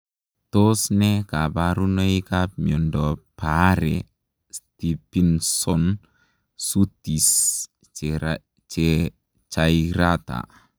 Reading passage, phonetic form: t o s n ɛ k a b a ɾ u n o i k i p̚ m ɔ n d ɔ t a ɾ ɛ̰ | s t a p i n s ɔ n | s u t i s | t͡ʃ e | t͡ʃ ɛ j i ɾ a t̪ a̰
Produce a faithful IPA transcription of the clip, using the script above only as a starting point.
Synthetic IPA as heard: t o s n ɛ k a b a ɾ u n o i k a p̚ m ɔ n d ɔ p a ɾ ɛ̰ | s t i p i n s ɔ n | s u t i s | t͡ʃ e | t͡ʃ a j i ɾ a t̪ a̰